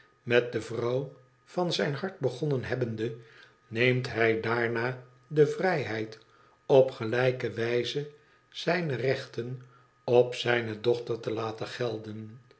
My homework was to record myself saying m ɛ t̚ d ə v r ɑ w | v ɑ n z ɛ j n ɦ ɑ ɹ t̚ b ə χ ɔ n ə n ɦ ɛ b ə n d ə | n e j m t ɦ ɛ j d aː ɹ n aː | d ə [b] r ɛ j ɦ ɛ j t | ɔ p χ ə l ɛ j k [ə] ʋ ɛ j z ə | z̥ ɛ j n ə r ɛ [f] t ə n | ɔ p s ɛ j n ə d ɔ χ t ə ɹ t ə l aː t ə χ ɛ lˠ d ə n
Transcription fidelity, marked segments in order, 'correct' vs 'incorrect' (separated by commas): incorrect, correct, incorrect